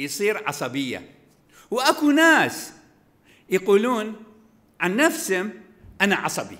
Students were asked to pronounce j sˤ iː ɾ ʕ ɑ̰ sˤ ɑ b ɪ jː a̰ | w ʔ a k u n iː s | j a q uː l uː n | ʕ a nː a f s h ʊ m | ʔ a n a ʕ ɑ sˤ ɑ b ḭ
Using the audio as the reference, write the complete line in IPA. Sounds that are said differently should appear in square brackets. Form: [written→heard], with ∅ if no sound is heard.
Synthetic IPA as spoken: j sˤ iː ɾ ʕ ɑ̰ sˤ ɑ b ɪ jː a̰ | w ʔ a k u n [iː→aː] s | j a q uː l uː n | ʕ a nː a f s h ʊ m | ʔ a n a ʕ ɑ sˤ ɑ b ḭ